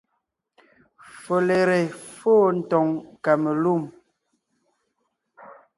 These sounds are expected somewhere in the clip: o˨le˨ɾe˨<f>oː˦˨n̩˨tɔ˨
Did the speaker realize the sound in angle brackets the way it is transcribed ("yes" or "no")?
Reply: yes